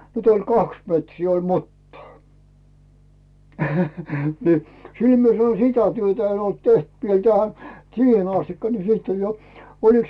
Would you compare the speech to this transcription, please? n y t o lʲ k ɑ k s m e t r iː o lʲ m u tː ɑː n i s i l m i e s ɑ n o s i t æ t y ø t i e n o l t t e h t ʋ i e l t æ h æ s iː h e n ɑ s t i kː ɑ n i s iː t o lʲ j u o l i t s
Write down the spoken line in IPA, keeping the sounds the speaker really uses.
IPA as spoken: n y t o lʲ k ɑ k s m e t r iː o lʲ m u tː ɑː n i s i l m i e s ɑ n o s i t æ t y ø t æ e n o l t t e h t ʋ i e l t æ h æ s iː h e n ɑ s t i kː ɑ n i s iː t o lʲ j o o l i k s